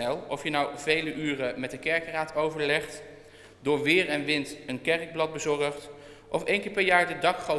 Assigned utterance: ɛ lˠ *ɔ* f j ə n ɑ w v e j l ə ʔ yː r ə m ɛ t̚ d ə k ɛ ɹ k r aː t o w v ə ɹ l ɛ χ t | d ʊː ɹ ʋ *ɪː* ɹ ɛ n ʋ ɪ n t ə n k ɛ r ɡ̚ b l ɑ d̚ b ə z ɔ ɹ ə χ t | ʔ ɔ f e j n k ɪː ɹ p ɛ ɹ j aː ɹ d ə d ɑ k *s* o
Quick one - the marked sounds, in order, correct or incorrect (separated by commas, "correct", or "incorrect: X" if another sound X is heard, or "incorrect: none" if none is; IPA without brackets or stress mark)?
correct, correct, incorrect: χ